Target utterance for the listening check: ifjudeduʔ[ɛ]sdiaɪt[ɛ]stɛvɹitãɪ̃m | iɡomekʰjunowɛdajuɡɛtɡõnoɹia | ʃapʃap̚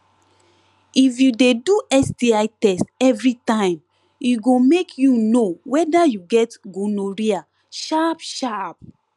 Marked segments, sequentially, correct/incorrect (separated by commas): correct, correct